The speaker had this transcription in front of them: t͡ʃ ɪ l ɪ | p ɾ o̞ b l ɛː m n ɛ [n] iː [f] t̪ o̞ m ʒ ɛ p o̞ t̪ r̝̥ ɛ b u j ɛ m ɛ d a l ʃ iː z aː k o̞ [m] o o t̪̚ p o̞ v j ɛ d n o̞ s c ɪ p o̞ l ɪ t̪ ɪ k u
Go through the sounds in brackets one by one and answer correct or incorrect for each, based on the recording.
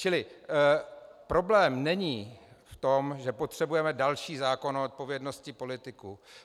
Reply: incorrect, correct, incorrect

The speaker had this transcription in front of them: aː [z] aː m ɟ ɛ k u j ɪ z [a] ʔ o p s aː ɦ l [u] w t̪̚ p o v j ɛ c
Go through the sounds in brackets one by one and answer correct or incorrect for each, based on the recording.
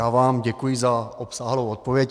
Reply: incorrect, correct, incorrect

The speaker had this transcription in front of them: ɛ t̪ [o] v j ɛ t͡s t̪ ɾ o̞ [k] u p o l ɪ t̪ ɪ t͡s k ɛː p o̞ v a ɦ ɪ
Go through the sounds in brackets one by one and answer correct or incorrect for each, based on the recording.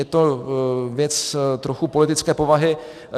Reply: correct, incorrect

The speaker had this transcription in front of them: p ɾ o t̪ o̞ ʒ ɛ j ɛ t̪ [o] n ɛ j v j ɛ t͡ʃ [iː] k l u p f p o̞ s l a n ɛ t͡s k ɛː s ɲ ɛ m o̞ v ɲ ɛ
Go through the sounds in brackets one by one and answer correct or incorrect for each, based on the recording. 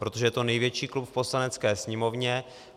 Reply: correct, correct

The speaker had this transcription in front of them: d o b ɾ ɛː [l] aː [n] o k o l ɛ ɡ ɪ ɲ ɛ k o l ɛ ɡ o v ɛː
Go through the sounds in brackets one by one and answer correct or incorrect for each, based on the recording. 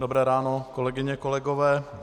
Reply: incorrect, correct

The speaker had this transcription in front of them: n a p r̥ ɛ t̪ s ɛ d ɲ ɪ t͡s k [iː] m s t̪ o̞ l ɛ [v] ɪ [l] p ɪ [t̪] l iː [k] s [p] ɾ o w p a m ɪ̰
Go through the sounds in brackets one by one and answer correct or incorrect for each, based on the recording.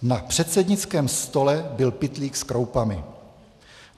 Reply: incorrect, incorrect, correct, correct, correct, incorrect

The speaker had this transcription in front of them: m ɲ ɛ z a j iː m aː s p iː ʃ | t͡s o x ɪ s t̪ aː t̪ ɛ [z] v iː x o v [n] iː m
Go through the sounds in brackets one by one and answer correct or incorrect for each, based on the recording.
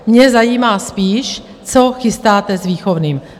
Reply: correct, correct

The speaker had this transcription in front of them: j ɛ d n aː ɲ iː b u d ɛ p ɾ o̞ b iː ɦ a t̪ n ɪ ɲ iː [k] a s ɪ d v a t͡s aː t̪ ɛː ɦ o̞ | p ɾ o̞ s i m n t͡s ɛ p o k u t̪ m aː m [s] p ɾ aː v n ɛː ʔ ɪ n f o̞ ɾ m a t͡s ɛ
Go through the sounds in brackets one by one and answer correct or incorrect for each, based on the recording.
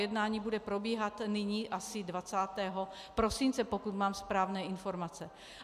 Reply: incorrect, correct

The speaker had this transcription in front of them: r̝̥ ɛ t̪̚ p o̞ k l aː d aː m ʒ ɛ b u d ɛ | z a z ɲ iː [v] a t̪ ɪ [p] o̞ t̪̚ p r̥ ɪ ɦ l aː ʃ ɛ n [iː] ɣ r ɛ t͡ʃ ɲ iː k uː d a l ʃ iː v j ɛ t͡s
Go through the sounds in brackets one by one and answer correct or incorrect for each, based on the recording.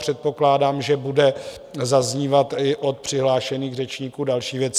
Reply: correct, incorrect, correct

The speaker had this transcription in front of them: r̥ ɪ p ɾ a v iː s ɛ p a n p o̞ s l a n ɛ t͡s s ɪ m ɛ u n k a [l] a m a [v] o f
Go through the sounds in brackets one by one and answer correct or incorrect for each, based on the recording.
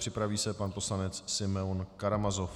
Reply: incorrect, incorrect

